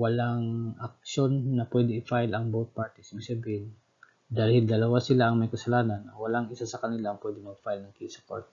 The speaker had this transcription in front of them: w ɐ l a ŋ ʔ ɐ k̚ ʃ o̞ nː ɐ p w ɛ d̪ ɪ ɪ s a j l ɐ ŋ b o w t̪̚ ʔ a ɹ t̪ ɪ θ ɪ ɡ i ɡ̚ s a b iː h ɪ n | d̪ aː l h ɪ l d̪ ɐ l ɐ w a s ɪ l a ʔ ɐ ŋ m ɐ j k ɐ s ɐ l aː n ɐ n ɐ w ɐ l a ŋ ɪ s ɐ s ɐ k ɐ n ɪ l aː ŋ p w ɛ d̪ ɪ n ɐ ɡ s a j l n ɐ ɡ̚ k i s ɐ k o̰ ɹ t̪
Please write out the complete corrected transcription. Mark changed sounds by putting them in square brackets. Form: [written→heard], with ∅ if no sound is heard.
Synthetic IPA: w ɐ l a ŋ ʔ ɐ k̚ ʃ o̞ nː ɐ p w ɛ d̪ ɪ ɪ [s→f] a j l ɐ ŋ b o w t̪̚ [ʔ→p] a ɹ t̪ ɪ [θ→s] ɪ [ɡ→b] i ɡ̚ s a b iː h ɪ n | d̪ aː l h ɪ l d̪ ɐ l ɐ w a s ɪ l a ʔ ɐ ŋ m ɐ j k ɐ s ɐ l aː n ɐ n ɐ w ɐ l a ŋ ɪ s [ɐ→a] s ɐ k ɐ n ɪ l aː ŋ p w ɛ d̪ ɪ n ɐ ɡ [s→f] a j l n ɐ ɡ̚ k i s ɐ k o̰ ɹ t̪